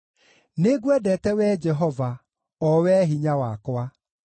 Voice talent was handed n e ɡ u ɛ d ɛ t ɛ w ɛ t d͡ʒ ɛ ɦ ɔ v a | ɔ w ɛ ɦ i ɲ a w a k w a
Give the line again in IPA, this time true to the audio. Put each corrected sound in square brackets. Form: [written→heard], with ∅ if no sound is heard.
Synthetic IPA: n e ɡ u ɛ d ɛ t ɛ w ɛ [t→∅] d͡ʒ ɛ ɦ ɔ v a | ɔ w ɛ ɦ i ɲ a w a k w a